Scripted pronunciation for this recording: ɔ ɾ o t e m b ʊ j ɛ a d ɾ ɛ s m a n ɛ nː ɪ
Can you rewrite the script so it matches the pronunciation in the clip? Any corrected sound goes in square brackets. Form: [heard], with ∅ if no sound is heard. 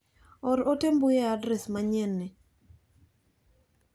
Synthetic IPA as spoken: ɔ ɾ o t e m b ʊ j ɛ a d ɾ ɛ s m a [ɲ] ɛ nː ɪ